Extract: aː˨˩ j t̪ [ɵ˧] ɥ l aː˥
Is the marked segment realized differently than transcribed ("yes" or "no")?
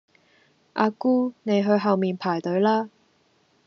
yes